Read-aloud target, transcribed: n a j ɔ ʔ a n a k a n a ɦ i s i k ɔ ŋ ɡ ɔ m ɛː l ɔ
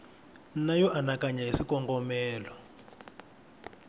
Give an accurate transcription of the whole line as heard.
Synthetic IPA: n a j ɔ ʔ a n a k a ɲ a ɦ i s i k ɔ ŋ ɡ ɔ m ɛː l ɔ